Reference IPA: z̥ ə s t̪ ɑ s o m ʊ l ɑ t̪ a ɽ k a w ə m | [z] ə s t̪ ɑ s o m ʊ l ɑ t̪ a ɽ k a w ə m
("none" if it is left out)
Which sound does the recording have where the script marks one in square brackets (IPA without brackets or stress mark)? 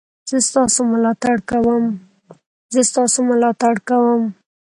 z